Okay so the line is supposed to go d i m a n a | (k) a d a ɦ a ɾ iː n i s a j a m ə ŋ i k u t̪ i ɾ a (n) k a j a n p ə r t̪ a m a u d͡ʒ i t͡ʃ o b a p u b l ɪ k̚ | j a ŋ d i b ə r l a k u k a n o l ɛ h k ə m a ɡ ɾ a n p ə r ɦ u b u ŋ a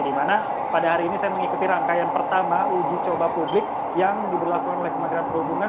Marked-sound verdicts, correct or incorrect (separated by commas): incorrect, incorrect